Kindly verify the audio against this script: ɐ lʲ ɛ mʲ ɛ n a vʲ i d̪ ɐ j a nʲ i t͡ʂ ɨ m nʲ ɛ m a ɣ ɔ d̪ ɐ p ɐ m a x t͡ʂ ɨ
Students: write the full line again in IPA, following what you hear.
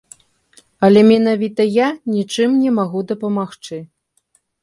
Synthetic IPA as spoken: ɐ lʲ ɛ mʲ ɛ n a vʲ i t̪ ɐ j a nʲ i t͡ʂ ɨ m nʲ ɛ m a ɣ u d̪ ɐ p ɐ m a x t͡ʂ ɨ